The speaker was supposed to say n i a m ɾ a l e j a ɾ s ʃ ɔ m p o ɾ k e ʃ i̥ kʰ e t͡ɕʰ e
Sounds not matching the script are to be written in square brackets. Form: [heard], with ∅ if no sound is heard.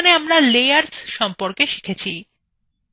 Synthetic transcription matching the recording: n [e] a m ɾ a l e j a ɾ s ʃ ɔ m p o ɾ k e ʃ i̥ kʰ e t͡ɕʰ [i]